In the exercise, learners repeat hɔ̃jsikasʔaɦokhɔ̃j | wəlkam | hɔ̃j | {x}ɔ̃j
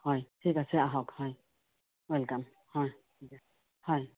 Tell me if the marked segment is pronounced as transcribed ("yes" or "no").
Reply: no